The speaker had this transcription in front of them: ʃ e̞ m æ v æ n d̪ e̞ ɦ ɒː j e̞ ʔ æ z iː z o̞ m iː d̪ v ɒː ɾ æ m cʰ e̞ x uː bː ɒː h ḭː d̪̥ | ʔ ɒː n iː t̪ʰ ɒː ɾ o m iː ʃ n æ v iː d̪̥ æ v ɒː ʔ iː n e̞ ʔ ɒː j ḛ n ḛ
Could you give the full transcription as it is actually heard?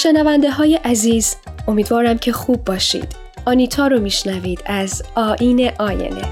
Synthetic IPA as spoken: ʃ e̞ n æ v æ n d̪ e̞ ɦ ɒː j e̞ ʔ æ z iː z o̞ m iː d̪ v ɒː ɾ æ m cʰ e̞ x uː bː ɒː ʃ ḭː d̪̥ | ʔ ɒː n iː t̪ʰ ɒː ɾ o m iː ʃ n æ v iː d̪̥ æ z ɒː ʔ iː n e̞ ʔ ɒː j ḛ n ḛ